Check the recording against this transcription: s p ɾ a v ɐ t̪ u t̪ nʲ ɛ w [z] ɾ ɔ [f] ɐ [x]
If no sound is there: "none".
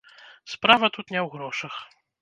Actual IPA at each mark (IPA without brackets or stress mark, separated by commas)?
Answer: ɣ, ʂ, x